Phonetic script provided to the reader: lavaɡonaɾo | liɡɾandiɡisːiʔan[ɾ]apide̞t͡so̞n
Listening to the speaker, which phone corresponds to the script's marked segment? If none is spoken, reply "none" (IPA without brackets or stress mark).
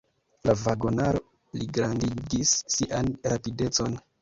ɾ